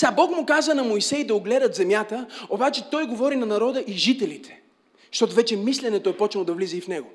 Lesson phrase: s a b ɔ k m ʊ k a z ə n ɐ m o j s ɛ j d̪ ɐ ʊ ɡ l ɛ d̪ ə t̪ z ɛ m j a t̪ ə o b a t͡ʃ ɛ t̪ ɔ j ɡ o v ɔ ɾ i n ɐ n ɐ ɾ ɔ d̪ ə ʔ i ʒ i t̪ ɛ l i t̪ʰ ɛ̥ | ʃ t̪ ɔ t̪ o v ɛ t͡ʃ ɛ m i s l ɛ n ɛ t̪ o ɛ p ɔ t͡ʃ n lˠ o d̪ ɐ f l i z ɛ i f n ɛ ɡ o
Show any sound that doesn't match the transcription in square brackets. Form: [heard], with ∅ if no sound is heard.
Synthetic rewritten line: s a b ɔ k m ʊ k a z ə n ɐ m o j s ɛ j d̪ ɐ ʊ ɡ l ɛ d̪ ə t̪ z ɛ m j a t̪ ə o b a t͡ʃ ɛ t̪ ɔ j ɡ o v ɔ ɾ i n ɐ n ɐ ɾ ɔ d̪ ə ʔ i ʒ i t̪ ɛ l i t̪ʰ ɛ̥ | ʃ t̪ ɔ t̪ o v ɛ t͡ʃ ɛ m i s l ɛ n ɛ t̪ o ɛ p ɔ t͡ʃ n lˠ o d̪ ɐ [v] l i z ɛ i f n ɛ ɡ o